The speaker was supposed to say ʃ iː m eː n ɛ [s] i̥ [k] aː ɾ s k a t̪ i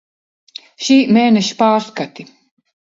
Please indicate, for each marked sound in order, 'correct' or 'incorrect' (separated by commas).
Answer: incorrect, incorrect